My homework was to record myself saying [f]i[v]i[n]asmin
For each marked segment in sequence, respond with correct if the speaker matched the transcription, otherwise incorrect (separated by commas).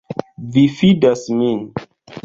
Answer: incorrect, incorrect, incorrect